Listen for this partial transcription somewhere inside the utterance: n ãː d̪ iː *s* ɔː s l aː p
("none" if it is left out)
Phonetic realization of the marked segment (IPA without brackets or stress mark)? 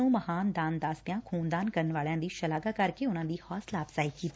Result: h